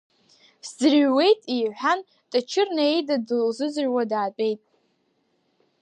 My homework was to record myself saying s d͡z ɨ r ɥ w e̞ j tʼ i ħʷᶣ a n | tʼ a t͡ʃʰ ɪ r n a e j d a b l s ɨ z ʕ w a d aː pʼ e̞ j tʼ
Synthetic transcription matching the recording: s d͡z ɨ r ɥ w e̞ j tʼ i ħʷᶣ a n | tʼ a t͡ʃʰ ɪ r n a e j d a d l z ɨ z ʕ w a d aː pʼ e̞ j tʼ